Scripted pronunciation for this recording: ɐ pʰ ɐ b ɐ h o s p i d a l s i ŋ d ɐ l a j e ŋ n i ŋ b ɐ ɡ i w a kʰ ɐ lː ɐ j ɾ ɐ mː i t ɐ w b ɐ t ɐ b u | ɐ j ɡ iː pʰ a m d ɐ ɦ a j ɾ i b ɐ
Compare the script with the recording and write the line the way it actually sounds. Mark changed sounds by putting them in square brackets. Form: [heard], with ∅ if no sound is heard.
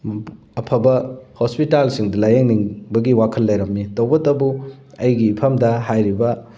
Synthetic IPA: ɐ pʰ ɐ b ɐ h o s p i [t] a l s i ŋ d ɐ l a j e ŋ n i ŋ b ɐ ɡ i w a kʰ ɐ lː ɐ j ɾ ɐ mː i t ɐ w b ɐ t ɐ b u | ɐ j ɡ iː pʰ [ɐ] m d ɐ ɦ a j ɾ i b ɐ

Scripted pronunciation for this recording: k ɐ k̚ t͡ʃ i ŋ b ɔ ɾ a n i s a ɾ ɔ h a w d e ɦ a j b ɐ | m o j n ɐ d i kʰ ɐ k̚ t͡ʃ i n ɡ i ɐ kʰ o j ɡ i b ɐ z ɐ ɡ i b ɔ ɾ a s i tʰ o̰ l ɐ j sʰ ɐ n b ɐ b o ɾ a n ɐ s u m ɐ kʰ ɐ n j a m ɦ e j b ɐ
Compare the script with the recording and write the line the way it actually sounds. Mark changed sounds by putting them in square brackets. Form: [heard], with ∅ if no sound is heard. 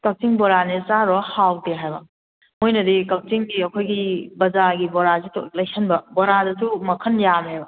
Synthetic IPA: k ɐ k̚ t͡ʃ i ŋ b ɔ ɾ a n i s a ɾ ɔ h a w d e ɦ a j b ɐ | m o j n ɐ d i [k] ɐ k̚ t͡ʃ i [ŋ] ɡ i ɐ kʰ o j ɡ i b ɐ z [a] ɡ i b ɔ ɾ a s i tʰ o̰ l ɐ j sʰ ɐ n b ɐ b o ɾ a [d] ɐ s u m ɐ kʰ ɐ n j a m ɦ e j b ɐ

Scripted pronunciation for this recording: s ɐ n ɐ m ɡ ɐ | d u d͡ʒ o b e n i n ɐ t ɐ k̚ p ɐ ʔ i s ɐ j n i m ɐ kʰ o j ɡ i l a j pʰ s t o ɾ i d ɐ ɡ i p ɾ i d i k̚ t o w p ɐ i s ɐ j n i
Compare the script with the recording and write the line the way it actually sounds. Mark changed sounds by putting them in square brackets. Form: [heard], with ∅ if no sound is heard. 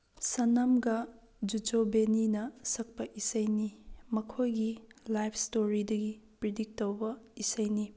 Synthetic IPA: s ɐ n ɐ m ɡ ɐ | [d͡ʒ] u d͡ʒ o b e n i n ɐ [s] ɐ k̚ p ɐ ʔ i s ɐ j n i m ɐ kʰ o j ɡ i l a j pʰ s t o ɾ i d ɐ ɡ i p ɾ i d i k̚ t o w [b] ɐ i s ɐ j n i

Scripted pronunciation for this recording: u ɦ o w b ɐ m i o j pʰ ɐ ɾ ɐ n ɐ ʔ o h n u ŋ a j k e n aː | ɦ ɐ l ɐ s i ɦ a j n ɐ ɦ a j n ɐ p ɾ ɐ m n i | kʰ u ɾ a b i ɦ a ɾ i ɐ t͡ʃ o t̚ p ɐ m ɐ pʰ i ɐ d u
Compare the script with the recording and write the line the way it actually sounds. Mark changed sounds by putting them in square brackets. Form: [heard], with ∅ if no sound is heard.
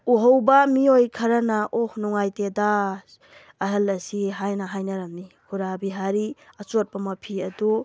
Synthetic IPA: u ɦ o w b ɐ m i o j [kʰ] ɐ ɾ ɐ n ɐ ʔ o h n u ŋ a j [t] e [d] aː | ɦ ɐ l ɐ s i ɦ a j n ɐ ɦ a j n ɐ [∅] ɾ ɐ m n i | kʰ u ɾ a b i ɦ a ɾ i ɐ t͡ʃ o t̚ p ɐ m ɐ pʰ i ɐ d u

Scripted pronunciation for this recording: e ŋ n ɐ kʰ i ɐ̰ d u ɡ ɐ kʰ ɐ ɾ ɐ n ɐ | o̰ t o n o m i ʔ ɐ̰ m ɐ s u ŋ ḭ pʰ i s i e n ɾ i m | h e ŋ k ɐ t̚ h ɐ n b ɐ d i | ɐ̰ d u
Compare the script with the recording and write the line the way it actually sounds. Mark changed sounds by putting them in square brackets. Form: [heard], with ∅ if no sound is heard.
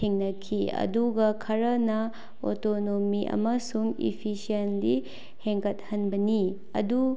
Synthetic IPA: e ŋ n ɐ kʰ i ɐ̰ d u ɡ ɐ kʰ ɐ ɾ ɐ n ɐ | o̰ t o n o m i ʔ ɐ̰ m ɐ s u ŋ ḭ pʰ i s i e n [l] i [∅] | h e ŋ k ɐ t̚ h ɐ n b ɐ [n] i | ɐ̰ d u

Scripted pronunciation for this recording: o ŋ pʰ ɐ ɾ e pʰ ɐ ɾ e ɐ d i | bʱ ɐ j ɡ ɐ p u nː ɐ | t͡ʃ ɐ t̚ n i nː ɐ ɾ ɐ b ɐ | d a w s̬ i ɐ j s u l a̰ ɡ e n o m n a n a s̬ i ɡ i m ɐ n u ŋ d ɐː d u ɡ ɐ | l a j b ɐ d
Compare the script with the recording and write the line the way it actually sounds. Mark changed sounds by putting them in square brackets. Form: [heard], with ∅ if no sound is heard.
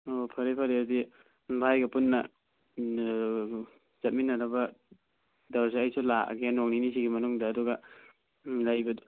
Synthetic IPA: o [∅] pʰ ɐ ɾ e pʰ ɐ ɾ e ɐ d i | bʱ [a] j ɡ ɐ p u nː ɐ | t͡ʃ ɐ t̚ [m] i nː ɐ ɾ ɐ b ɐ | d a w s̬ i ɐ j s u l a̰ ɡ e n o [ŋ] n [i] n [i] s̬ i ɡ i m ɐ n u ŋ d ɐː d u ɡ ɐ | l a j b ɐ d

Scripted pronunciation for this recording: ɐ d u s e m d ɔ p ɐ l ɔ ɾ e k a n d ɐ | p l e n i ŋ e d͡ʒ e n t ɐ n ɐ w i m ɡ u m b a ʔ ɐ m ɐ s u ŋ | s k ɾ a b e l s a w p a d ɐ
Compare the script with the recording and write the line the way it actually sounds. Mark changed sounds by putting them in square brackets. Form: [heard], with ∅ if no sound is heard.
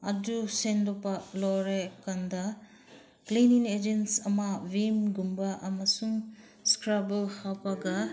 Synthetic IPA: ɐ d u s e [n] d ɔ p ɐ l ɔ ɾ e k a n d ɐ | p l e n i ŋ e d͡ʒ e n [s] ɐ [m] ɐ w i m ɡ u m b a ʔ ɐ m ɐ s u ŋ | s k ɾ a b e l [h] a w p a [ɡ] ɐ

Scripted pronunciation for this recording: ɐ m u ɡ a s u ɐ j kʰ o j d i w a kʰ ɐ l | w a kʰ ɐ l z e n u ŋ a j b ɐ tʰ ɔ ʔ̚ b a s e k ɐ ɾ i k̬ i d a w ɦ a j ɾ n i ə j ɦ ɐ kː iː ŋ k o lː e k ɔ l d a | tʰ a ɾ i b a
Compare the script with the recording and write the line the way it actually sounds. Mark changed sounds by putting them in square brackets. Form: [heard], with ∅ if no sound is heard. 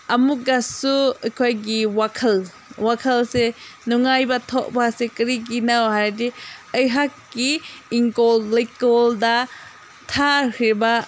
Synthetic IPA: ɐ m u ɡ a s u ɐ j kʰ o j [ɡ] i w a kʰ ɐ l | w a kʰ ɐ l [s] e n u ŋ a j b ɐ tʰ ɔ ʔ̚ b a s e k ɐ ɾ i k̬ i [n] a w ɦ a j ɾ [d] i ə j ɦ [a] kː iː ŋ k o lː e k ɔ l d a | tʰ a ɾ i b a

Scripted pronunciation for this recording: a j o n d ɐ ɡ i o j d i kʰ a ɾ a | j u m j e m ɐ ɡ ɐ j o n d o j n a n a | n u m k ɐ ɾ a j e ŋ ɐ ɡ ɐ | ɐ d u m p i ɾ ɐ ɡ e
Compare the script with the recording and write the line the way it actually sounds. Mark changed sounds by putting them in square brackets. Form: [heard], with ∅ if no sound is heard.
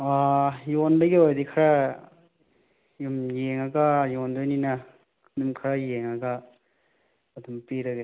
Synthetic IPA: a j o n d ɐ ɡ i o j d i kʰ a ɾ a | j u m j e [ŋ] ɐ ɡ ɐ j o n d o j n [i] n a | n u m [kʰ] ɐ ɾ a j e ŋ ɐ ɡ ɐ | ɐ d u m p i ɾ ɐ ɡ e

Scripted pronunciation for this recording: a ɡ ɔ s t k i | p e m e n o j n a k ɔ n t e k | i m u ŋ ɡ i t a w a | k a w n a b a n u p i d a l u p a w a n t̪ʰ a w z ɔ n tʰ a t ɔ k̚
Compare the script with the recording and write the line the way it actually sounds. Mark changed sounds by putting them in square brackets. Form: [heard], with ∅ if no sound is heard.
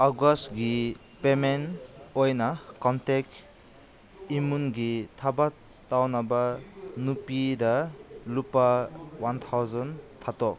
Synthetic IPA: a ɡ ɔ s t [ɡ] i | p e m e n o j n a k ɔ n t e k | i m u [n] ɡ i [tʰ] a [b] a | [t] a w n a b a n u p i d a l u p a w a n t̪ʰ a w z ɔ n tʰ a t ɔ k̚

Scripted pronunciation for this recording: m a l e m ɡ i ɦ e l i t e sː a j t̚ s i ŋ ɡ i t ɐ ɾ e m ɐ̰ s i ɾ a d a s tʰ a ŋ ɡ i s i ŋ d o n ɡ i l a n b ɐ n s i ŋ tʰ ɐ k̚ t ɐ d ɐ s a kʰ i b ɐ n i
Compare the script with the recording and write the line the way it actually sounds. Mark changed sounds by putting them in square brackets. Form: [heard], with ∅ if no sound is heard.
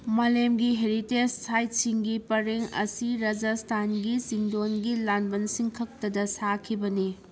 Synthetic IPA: m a l e m ɡ i ɦ e [ɾ] i t e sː a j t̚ s i ŋ ɡ i [p] ɐ ɾ e [ŋ] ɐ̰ s i ɾ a [d͡ʒ] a s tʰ a [n] ɡ i s i ŋ d o n ɡ i l a n b ɐ n s i ŋ [kʰ] ɐ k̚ t ɐ d ɐ s a kʰ i b ɐ n i

